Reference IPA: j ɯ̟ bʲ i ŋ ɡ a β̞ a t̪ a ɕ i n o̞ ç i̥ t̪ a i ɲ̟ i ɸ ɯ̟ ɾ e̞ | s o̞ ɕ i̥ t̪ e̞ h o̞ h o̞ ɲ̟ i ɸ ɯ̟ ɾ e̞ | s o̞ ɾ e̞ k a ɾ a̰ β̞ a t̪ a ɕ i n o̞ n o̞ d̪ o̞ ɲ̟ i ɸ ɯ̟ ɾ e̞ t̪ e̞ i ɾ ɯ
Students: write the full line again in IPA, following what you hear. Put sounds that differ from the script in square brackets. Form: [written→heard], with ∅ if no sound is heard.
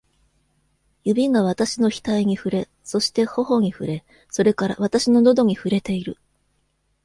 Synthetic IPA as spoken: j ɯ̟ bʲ i ŋ ɡ a β̞ a t̪ a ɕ i n o̞ ç i̥ t̪ a i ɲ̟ i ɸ ɯ̟ ɾ e̞ | s o̞ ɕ i̥ t̪ e̞ h o̞ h o̞ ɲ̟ i ɸ ɯ̟ ɾ e̞ | s o̞ ɾ e̞ k a ɾ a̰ β̞ a t̪ a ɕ i n o̞ n o̞ d̪ o̞ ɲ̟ i ɸ ɯ̟ ɾ e̞ t̪ e̞ i ɾ ɯ